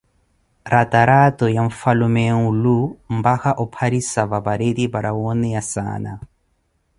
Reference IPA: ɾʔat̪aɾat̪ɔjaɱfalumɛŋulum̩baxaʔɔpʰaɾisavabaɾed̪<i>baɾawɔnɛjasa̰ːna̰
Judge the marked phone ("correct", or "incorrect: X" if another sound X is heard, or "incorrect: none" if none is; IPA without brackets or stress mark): correct